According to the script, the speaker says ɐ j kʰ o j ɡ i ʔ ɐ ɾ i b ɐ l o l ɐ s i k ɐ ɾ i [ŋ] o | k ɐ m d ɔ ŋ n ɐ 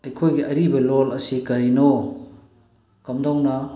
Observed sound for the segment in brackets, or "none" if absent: n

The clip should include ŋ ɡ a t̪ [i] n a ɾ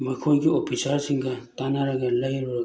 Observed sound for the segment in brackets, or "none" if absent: a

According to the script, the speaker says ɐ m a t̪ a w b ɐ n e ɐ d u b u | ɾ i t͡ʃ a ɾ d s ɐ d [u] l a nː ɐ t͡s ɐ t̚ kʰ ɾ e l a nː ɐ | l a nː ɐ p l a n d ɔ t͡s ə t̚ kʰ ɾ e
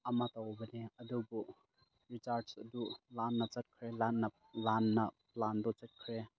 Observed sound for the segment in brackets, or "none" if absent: u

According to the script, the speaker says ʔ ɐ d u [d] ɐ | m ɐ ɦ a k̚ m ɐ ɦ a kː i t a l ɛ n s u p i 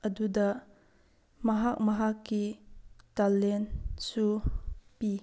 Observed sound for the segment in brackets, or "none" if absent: d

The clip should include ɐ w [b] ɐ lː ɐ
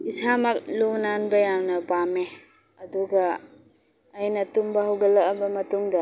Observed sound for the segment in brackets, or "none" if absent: ɡ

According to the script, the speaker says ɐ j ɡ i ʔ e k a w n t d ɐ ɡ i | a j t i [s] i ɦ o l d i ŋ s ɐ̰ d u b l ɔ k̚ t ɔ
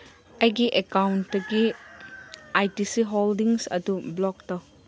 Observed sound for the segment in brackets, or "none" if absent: s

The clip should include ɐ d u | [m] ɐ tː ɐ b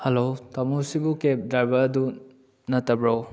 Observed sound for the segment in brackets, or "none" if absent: n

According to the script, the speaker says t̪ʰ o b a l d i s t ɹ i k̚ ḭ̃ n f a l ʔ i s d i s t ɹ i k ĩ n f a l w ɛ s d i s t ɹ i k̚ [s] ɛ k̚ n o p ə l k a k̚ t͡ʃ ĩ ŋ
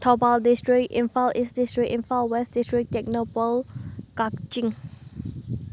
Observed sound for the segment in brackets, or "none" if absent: t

